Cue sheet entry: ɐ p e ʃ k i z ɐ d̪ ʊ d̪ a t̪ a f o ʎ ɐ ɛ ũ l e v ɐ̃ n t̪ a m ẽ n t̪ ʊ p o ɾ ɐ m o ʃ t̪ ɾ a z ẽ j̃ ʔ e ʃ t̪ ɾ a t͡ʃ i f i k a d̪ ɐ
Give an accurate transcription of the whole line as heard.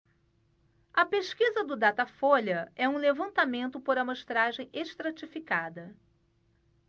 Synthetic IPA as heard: ɐ p e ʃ k i z ɐ d̪ ʊ d̪ a t̪ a f o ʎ ɐ ɛ ũ l e v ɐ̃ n t̪ a m ẽ n t̪ ʊ p o ɾ ɐ m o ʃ t̪ ɾ a ʒ ẽ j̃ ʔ e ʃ t̪ ɾ a t͡ʃ i f i k a d̪ ɐ